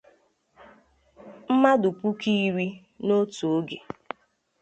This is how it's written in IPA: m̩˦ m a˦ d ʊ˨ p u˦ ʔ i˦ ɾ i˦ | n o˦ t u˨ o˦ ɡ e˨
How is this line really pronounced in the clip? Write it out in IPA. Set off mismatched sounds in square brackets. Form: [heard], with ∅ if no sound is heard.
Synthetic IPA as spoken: m̩˦ m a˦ d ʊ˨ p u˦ [k] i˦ ɾ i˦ | n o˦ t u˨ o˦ ɡ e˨